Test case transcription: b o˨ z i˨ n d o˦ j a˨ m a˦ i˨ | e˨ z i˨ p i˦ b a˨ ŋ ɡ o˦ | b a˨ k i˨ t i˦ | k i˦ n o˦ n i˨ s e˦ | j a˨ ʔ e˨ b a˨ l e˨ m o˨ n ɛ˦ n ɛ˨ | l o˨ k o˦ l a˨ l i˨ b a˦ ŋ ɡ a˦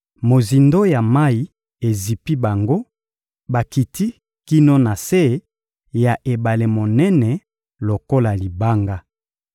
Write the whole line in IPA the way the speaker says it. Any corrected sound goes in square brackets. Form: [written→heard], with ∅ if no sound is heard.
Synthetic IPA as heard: [b→m] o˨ z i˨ n d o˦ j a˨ m a˦ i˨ | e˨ z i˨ p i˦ b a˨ ŋ ɡ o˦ | b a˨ k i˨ t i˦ | k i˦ n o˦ n [i˨→a˨] s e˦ | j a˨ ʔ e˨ b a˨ l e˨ m o˨ n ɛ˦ n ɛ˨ | l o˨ k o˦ l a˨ l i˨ b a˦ ŋ ɡ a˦